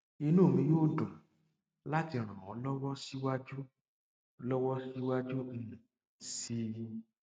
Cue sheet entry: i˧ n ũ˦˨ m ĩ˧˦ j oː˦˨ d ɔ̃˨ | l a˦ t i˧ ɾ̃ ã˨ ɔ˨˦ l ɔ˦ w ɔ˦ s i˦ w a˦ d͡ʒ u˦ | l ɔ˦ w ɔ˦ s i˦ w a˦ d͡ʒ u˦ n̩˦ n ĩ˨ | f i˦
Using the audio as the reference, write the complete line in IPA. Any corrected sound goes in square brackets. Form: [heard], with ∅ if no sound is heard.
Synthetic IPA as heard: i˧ n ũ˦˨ m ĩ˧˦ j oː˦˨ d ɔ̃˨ | l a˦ t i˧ ɾ̃ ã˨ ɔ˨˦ l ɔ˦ w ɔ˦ s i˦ w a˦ d͡ʒ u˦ | l ɔ˦ w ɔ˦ s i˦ w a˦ d͡ʒ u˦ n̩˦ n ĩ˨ | [s] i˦